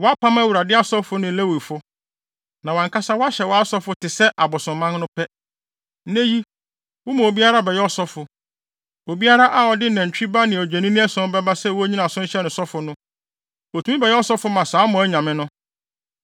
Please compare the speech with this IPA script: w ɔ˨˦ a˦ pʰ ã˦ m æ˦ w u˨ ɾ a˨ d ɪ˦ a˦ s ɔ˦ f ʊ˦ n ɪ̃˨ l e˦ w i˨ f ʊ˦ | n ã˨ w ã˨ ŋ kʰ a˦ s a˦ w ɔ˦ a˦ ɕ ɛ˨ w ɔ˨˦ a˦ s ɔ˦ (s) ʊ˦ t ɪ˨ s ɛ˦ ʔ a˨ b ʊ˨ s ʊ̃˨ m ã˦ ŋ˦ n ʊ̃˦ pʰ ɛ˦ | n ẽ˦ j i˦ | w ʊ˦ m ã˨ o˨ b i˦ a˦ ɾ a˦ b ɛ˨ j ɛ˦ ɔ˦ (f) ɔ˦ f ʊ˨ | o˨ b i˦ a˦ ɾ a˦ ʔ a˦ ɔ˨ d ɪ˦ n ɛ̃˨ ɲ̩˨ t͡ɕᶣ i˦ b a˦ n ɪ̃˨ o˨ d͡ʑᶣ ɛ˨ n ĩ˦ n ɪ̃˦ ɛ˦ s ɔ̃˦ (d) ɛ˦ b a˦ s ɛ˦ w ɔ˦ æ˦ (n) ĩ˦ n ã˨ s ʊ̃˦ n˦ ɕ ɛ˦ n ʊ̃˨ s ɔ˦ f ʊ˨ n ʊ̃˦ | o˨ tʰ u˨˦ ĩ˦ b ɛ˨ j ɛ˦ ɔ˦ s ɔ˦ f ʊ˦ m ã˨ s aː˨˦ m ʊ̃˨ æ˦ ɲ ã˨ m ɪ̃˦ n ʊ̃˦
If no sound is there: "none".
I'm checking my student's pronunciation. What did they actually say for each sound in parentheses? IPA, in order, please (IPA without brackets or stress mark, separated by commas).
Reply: f, s, b, ɲ